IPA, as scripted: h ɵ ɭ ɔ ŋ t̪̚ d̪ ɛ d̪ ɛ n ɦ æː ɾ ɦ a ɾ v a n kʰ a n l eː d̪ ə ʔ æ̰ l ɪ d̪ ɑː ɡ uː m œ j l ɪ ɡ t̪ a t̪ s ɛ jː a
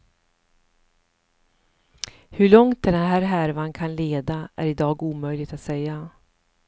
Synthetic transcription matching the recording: h ɵ ɭ ɔ ŋ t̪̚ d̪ ɛ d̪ ɛ n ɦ æː ɾ ɦ æ ɾ v a n kʰ a n l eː d̪ a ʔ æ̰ ɾ ɪ d̪ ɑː ɡ uː m œ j l ɪ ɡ t̪ a t̪ s ɛ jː a